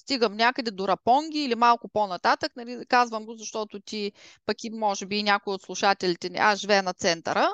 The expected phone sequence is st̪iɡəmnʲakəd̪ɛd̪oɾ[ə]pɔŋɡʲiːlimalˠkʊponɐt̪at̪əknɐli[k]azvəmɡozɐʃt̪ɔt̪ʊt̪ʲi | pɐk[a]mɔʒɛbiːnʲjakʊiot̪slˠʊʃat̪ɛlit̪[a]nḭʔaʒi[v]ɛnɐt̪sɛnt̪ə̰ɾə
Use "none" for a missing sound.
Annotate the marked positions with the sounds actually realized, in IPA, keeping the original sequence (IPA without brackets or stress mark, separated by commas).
ɐ, k, i, ɛ, v